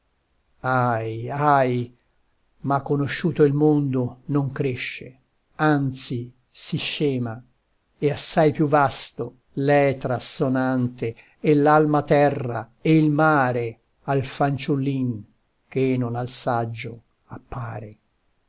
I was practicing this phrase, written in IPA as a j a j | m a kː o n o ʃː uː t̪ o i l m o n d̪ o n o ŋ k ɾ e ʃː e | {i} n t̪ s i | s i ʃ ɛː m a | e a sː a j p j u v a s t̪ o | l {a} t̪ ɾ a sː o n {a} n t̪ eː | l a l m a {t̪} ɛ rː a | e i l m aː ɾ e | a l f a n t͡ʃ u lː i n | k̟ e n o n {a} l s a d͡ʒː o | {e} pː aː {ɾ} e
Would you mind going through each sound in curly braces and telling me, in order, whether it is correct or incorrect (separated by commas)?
incorrect, incorrect, correct, correct, correct, incorrect, correct